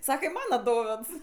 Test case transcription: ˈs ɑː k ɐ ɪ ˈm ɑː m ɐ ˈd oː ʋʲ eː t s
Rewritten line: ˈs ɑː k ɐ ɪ ˈm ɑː n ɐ ˈd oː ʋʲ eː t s